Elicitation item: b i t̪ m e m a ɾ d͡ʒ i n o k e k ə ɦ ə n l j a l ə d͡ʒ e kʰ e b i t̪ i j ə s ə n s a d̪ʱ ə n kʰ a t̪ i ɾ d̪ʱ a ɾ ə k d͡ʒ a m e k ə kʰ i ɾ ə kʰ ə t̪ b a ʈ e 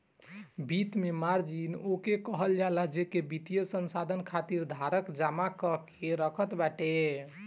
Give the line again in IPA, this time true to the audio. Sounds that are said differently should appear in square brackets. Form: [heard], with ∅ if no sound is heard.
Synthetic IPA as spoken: b i t̪ m e m a ɾ d͡ʒ i n o k e k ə ɦ ə [∅] l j a l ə d͡ʒ e [k] e b i t̪ i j ə s ə n s a d̪ʱ ə n kʰ a t̪ i ɾ d̪ʱ a ɾ ə k d͡ʒ a m [a] k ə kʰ [e] ɾ ə kʰ ə t̪ b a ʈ e